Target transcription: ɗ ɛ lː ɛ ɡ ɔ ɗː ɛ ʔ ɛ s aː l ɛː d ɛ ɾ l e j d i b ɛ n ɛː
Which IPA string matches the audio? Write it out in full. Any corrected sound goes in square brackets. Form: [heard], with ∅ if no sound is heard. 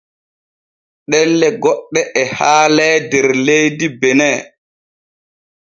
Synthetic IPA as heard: ɗ ɛ lː ɛ ɡ ɔ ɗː ɛ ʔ ɛ [h] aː l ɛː d ɛ ɾ l e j d i b ɛ n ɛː